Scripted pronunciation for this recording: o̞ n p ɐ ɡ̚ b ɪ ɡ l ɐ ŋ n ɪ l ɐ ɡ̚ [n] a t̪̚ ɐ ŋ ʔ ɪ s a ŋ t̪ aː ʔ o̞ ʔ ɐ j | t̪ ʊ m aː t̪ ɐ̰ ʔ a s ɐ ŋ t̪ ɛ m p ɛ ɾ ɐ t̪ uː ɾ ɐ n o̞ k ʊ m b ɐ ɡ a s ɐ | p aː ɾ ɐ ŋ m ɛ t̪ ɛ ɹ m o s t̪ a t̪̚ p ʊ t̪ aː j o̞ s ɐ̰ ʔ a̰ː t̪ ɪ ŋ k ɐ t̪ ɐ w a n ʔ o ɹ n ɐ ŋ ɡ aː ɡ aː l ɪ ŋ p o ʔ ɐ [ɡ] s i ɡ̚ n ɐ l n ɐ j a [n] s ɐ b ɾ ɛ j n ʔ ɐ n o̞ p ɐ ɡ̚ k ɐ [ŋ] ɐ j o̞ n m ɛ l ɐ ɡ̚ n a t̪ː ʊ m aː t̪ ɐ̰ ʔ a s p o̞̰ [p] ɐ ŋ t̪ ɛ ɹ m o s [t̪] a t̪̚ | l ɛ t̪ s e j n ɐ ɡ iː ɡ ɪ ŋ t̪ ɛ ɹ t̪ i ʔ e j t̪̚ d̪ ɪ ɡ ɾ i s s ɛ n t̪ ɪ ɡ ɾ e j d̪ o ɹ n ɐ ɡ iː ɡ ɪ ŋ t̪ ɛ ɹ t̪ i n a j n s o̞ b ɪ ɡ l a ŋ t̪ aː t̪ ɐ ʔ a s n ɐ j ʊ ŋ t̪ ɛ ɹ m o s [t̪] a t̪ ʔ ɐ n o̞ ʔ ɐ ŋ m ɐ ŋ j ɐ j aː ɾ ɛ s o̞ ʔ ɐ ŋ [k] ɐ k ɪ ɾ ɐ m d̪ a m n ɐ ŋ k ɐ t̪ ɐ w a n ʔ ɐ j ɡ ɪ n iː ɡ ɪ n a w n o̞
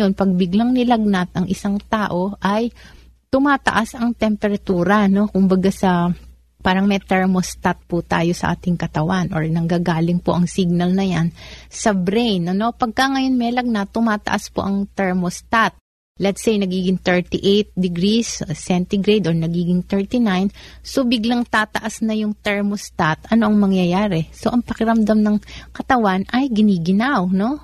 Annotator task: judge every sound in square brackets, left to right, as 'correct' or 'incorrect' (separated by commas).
correct, incorrect, correct, correct, incorrect, correct, correct, incorrect